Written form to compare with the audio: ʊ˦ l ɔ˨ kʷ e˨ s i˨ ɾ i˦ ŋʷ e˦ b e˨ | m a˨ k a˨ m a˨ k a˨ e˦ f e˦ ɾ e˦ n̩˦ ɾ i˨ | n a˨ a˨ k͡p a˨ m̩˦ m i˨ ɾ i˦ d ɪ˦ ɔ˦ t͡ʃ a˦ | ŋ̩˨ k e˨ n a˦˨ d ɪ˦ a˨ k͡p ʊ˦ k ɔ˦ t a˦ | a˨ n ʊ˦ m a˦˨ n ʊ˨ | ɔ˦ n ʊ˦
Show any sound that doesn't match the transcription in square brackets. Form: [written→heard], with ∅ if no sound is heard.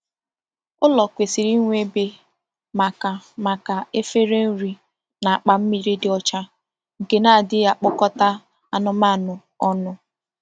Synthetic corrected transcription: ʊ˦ l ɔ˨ kʷ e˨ s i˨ ɾ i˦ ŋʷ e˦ b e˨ | m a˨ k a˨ m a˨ k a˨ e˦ f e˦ ɾ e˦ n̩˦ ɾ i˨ | n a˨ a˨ k͡p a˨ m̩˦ m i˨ ɾ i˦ d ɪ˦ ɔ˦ t͡ʃ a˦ | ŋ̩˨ k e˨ n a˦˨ d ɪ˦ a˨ k͡p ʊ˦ k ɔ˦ t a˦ | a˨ n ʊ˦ m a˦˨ n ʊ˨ | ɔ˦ n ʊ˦

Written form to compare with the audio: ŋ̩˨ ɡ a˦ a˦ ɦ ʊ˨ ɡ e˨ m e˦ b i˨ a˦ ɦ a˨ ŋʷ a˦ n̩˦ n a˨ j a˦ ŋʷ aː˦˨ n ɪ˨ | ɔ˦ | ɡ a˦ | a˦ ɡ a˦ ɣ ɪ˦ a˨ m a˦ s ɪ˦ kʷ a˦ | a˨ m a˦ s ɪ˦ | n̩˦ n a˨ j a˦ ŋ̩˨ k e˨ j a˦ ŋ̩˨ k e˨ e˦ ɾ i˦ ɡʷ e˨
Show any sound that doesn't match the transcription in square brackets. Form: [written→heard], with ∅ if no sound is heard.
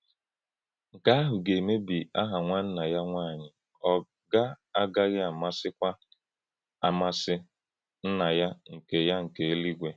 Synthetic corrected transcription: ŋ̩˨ [ɡ→k] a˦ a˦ ɦ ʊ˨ ɡ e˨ m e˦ b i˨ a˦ ɦ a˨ ŋʷ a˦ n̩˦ n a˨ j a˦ ŋʷ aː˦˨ [n→ɲ] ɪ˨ | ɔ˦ | ɡ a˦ | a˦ ɡ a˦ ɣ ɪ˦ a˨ m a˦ s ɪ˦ kʷ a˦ | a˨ m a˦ s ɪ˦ | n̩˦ n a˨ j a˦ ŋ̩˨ k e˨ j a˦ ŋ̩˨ k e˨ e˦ [ɾ→l] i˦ ɡʷ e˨

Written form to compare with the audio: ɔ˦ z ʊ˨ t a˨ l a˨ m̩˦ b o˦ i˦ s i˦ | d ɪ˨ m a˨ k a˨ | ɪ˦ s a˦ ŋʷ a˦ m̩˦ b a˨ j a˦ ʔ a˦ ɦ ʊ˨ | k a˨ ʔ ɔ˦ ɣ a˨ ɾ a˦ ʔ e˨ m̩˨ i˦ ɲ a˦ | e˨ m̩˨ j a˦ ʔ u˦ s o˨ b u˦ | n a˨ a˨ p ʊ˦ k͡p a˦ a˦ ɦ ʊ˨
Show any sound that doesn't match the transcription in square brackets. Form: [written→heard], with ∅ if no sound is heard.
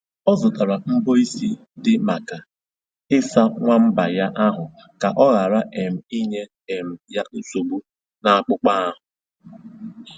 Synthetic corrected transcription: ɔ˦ z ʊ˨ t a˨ [l→ɾ] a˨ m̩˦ b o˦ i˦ s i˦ | d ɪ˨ m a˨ k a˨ | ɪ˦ s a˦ ŋʷ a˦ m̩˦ b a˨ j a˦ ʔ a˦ ɦ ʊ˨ | k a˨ ʔ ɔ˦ ɣ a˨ ɾ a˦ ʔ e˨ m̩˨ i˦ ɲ [a˦→e˦] | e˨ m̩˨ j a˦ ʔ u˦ s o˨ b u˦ | n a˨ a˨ [p→k͡p] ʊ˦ k͡p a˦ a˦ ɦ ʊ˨

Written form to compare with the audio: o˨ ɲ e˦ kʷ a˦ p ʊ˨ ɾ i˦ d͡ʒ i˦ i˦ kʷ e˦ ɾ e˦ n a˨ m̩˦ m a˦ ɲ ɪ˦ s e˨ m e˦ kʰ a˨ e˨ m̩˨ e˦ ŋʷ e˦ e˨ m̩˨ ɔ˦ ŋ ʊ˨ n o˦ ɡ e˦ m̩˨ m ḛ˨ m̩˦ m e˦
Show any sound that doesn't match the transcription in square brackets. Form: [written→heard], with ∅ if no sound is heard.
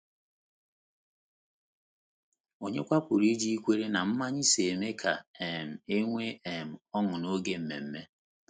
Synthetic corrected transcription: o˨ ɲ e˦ kʷ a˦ p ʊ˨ ɾ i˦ d͡ʒ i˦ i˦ kʷ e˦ ɾ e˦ n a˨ m̩˦ m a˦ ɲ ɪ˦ s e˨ m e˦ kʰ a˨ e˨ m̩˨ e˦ ŋʷ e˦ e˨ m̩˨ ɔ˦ ŋ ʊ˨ n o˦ ɡ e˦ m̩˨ m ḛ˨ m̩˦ m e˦

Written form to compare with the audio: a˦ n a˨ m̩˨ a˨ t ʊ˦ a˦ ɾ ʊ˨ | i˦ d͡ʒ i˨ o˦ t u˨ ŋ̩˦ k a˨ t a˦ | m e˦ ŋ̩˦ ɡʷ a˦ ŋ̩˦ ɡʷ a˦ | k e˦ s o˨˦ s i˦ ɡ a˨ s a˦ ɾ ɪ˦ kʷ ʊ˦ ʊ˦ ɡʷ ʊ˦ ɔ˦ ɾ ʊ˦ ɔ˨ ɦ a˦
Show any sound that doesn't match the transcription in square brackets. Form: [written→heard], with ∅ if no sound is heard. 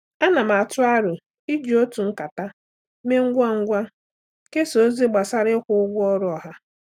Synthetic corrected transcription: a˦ n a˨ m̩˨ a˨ t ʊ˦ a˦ ɾ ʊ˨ | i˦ d͡ʒ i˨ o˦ t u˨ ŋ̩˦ k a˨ t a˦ | m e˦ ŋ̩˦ ɡʷ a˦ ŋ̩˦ ɡʷ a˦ | k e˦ s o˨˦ [s→z] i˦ [ɡ→ɡ͡b] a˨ s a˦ ɾ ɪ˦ kʷ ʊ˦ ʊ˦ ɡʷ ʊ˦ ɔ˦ ɾ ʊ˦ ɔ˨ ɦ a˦

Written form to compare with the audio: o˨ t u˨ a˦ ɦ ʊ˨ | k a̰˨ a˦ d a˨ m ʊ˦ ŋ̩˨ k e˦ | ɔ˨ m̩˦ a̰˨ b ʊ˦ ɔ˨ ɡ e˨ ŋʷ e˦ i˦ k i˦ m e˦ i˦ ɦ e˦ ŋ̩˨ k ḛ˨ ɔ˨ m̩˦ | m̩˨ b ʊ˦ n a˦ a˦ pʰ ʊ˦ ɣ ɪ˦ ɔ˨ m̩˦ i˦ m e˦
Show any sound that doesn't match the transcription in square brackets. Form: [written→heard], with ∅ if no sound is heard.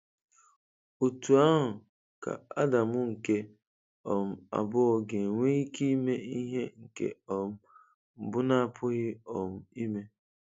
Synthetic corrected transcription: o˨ t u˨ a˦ ɦ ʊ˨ | k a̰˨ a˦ d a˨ m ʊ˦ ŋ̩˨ k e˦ | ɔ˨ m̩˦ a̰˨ b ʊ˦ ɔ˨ ɡ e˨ ŋʷ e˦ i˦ k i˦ m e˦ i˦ ɦ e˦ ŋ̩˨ k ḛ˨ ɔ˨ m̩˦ | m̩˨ b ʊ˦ n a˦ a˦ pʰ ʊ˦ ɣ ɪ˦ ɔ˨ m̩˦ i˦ m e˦

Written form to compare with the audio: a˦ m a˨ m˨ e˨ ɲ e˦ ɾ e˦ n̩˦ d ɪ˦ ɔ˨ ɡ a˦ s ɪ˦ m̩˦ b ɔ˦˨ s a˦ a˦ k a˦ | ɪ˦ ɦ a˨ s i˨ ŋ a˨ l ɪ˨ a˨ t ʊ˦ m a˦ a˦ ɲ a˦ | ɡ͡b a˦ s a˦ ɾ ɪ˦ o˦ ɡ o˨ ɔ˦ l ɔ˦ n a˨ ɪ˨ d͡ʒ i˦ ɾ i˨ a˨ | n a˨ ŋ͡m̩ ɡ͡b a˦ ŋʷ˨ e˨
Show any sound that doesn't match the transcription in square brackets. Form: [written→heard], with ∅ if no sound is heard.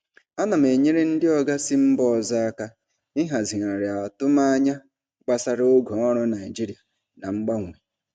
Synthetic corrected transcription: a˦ [m→n] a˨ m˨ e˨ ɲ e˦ ɾ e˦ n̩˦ d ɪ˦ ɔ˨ ɡ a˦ s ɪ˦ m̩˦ b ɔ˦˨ [s→z] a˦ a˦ k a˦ | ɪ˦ ɦ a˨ [s→z] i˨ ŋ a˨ [l→ɾ] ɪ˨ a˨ t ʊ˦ m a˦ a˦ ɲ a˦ | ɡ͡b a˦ s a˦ ɾ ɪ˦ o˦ ɡ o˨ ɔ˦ [l→ɾ] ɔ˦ n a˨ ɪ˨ d͡ʒ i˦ ɾ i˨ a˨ | n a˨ ŋ͡m̩ ɡ͡b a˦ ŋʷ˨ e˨

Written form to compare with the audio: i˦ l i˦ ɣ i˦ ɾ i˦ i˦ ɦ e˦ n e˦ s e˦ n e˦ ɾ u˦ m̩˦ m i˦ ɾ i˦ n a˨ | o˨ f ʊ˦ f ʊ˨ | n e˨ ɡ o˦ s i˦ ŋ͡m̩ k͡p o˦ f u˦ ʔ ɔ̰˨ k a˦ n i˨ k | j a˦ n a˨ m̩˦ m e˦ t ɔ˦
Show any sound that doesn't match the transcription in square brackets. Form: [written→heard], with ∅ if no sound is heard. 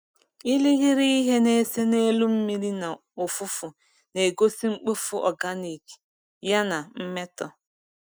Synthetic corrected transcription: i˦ l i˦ ɣ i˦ ɾ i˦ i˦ ɦ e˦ n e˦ s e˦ n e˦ [ɾ→l] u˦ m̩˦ m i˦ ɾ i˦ n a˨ | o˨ f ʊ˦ f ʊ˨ | n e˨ ɡ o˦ s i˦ ŋ͡m̩ k͡p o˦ f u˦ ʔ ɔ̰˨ [k→ɡ] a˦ n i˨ k | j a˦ n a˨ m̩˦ m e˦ t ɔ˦

